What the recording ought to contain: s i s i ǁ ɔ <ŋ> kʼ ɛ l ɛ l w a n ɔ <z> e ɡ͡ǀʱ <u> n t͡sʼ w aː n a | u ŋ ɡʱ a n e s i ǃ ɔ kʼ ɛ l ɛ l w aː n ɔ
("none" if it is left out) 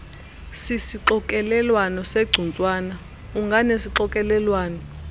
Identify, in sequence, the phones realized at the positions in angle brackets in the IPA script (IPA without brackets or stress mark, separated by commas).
none, s, u